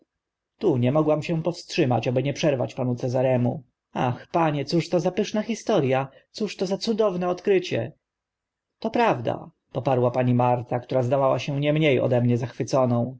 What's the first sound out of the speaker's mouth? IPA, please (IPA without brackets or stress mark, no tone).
t̪